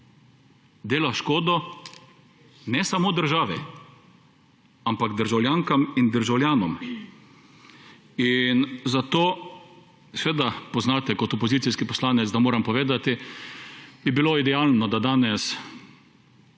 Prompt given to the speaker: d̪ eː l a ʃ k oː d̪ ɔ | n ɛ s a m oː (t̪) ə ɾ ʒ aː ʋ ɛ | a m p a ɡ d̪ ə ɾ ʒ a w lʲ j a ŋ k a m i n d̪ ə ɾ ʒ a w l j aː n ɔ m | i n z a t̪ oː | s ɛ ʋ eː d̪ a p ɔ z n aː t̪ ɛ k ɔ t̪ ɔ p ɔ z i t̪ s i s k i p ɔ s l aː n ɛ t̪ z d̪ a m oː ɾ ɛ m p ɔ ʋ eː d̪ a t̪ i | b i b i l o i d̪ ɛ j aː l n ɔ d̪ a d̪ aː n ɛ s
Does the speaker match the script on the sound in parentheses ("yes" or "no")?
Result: no